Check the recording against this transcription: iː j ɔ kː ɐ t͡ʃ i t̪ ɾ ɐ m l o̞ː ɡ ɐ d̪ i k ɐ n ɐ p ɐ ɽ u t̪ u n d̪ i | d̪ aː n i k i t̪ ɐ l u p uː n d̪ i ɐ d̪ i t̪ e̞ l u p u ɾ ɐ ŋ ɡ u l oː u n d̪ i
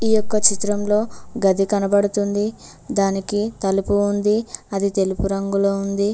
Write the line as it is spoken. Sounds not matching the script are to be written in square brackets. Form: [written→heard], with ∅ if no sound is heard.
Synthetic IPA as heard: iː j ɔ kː ɐ t͡ʃ i t̪ ɾ ɐ m l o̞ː ɡ ɐ d̪ i k ɐ n ɐ [p→b] ɐ ɽ u t̪ u n d̪ i | d̪ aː n i k i t̪ ɐ l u p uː n d̪ i ɐ d̪ i t̪ e̞ l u p u ɾ ɐ ŋ ɡ u l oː u n d̪ i